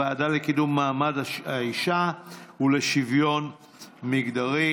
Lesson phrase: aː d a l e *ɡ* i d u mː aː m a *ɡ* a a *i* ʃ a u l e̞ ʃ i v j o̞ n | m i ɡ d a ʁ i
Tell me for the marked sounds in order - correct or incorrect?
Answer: incorrect: k, incorrect: d, correct

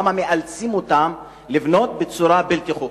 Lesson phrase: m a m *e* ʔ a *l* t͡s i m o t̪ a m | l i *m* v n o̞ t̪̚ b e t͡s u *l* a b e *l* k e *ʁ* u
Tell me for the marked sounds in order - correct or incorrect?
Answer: correct, correct, incorrect: none, incorrect: ɾ, correct, incorrect: χ

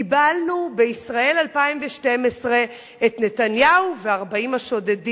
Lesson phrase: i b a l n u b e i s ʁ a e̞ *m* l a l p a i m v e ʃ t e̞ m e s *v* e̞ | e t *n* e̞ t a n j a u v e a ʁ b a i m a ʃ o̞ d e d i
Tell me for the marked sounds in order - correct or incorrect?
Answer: incorrect: none, incorrect: ʁ, correct

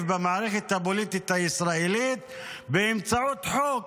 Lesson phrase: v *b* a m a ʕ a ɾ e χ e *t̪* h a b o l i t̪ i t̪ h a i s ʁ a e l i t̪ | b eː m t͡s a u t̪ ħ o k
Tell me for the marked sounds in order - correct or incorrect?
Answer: correct, correct

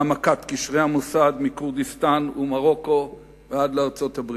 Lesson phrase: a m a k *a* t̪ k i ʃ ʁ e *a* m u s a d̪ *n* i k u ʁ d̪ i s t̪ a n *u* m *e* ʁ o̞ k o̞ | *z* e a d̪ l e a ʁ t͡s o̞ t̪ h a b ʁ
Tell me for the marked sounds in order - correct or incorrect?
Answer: correct, correct, incorrect: m, correct, incorrect: a, incorrect: v

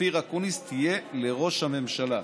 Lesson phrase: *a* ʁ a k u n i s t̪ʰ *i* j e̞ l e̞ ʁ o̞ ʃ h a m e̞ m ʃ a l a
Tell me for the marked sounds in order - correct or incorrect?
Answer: incorrect: i, correct

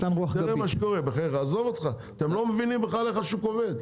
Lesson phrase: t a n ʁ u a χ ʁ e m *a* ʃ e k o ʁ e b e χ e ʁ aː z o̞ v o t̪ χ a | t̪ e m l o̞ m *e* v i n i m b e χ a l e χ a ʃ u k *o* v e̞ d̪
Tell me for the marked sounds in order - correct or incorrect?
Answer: correct, correct, correct

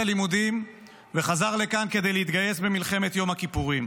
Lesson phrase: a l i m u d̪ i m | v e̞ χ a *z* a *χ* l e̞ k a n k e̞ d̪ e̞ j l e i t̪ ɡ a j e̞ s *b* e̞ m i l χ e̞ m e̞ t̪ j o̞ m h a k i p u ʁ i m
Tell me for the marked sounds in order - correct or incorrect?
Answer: correct, incorrect: ʁ, correct

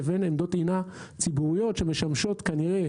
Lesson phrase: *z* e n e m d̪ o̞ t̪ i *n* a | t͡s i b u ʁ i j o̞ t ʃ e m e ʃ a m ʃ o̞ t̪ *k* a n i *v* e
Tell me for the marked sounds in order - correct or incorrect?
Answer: incorrect: v, correct, correct, incorrect: ʁ

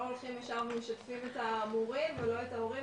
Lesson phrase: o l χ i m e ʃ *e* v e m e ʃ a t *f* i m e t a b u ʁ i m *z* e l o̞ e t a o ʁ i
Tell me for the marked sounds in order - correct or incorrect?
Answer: incorrect: a, correct, incorrect: v

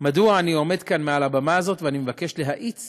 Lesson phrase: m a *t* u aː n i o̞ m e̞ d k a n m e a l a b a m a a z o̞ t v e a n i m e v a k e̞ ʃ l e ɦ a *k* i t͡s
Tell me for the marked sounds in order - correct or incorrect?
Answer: incorrect: d, incorrect: ʔ

